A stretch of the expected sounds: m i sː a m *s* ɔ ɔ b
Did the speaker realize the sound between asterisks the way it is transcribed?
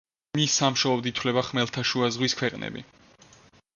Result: no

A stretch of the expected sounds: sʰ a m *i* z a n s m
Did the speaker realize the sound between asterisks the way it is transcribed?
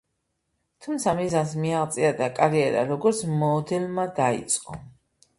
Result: yes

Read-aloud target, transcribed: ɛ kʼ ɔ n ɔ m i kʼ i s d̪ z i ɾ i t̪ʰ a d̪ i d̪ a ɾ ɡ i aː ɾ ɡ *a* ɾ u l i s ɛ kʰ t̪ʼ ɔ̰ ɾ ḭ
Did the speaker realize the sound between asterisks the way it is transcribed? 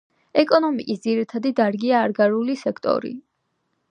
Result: yes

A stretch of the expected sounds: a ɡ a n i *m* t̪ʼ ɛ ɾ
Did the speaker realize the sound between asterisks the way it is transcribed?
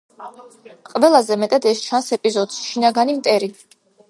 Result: yes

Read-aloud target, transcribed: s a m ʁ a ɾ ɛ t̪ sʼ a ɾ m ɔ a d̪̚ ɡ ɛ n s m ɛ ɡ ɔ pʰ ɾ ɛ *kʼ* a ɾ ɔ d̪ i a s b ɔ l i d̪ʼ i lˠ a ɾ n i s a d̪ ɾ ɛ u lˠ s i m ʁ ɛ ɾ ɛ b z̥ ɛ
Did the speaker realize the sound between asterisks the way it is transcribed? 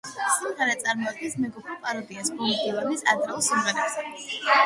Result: no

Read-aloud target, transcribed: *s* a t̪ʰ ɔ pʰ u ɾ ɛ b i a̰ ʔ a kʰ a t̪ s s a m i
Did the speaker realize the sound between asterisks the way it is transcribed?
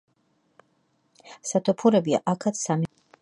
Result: yes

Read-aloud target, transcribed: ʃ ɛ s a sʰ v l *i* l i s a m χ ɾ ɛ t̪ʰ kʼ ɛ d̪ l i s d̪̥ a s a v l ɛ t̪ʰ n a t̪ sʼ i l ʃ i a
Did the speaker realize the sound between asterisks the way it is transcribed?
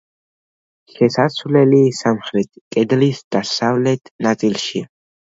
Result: no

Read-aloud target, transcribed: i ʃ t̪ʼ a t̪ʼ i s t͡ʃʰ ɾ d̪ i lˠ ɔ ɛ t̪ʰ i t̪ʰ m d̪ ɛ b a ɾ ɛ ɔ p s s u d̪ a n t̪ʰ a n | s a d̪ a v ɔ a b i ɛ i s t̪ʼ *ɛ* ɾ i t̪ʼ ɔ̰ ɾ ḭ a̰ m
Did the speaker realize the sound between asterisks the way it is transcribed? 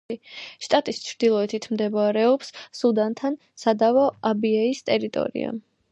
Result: yes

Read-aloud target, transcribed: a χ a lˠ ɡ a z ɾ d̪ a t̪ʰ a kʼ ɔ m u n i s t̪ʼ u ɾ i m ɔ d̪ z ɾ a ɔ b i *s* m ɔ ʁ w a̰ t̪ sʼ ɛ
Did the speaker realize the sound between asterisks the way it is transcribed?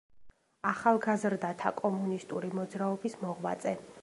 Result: yes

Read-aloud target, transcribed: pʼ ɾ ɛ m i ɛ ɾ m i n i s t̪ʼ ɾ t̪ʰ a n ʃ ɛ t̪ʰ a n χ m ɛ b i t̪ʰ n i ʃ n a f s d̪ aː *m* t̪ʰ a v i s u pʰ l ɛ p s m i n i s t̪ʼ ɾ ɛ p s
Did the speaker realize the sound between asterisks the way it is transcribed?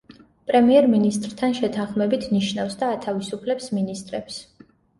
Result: no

